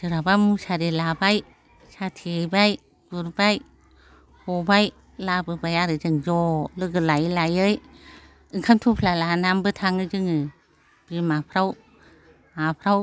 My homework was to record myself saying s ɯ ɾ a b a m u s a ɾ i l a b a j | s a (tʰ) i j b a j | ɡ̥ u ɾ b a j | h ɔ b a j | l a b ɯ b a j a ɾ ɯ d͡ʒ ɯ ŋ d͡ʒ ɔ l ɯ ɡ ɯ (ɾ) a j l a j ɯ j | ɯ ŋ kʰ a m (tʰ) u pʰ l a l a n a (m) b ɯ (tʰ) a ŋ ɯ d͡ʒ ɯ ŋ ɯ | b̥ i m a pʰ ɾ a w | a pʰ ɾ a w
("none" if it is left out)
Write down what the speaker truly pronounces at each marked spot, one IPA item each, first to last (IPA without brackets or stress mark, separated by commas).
tʰ, l, tʰ, m, tʰ